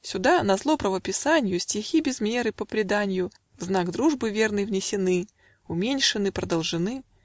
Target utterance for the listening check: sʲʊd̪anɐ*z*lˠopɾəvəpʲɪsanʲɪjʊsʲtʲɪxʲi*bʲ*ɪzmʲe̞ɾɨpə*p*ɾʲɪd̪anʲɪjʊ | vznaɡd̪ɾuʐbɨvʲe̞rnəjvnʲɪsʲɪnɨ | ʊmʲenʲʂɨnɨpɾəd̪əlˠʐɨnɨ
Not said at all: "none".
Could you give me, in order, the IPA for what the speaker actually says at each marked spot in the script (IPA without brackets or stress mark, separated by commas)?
z, bʲ, p